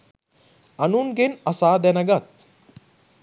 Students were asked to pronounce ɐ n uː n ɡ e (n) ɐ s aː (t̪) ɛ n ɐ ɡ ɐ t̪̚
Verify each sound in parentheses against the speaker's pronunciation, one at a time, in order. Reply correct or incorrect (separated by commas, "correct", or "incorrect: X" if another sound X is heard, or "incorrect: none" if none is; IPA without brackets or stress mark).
correct, incorrect: d̪